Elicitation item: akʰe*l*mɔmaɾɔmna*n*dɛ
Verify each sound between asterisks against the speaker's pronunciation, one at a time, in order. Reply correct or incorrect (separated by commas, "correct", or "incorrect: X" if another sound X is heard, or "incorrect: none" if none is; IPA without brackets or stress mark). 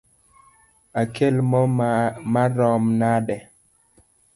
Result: correct, incorrect: none